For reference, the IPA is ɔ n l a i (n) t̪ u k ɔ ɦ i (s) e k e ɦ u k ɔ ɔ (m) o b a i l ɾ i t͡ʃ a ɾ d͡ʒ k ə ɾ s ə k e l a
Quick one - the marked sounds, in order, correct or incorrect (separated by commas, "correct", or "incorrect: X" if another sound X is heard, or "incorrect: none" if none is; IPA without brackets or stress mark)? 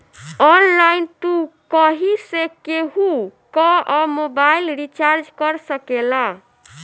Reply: correct, correct, correct